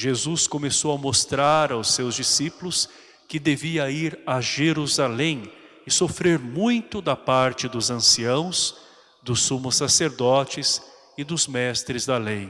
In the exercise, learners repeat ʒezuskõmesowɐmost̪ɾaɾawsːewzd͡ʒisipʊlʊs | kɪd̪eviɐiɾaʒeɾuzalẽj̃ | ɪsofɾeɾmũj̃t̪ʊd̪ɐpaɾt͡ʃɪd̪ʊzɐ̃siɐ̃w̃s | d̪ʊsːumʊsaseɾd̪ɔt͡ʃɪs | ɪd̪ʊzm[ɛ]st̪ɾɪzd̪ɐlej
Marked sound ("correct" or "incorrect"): correct